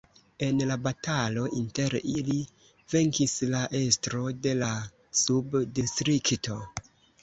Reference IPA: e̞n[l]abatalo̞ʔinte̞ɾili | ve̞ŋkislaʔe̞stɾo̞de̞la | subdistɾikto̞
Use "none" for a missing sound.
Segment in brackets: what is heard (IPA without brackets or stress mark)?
l